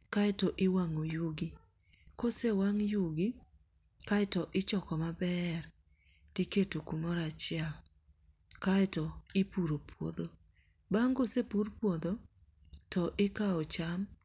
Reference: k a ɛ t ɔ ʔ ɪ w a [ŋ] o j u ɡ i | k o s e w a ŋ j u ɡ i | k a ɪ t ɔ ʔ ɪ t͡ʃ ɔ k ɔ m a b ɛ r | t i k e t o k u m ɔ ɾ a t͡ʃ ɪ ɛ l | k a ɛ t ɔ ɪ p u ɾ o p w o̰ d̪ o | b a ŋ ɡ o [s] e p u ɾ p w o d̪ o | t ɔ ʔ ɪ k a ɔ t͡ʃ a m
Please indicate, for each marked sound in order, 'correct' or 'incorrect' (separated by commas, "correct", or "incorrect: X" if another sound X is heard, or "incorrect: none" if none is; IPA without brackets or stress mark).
correct, correct